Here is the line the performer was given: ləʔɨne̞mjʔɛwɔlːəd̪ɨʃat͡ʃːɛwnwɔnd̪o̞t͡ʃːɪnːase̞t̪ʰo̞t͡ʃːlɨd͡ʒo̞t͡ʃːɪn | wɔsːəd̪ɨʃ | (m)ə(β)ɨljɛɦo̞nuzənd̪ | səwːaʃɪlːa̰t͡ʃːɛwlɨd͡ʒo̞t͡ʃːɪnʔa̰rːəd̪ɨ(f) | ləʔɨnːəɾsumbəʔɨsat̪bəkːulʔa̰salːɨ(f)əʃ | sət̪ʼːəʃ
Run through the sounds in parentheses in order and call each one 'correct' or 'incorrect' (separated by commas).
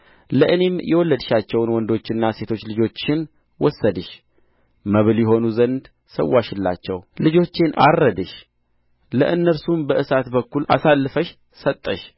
correct, correct, incorrect, correct